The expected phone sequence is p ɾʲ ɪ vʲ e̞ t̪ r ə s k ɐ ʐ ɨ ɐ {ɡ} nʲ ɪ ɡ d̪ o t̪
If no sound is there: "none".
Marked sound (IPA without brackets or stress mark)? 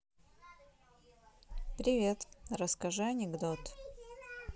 none